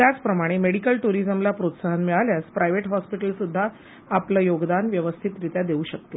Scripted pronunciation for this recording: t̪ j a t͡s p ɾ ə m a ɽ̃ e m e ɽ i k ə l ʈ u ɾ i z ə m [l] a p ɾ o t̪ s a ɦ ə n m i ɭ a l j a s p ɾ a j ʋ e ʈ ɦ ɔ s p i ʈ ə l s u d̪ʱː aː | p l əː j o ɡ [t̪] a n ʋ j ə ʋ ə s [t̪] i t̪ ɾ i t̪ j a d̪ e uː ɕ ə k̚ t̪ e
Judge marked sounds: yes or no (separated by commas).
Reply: yes, no, no